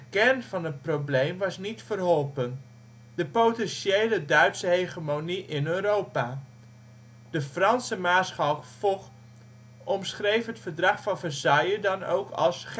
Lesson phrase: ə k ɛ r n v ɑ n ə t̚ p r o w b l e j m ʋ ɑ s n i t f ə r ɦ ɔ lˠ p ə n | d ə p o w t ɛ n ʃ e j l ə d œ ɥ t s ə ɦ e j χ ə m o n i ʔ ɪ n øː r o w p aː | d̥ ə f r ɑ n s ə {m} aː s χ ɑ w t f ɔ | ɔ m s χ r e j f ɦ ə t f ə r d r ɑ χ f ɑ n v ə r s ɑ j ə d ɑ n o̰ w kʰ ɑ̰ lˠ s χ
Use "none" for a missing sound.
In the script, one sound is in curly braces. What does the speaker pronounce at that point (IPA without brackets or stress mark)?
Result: m